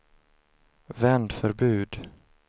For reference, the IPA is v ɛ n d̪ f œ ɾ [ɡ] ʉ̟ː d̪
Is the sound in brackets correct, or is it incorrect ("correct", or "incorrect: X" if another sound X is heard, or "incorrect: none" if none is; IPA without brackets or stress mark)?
incorrect: b